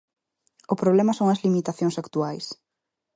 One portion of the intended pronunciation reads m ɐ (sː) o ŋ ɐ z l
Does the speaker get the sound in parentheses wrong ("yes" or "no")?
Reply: yes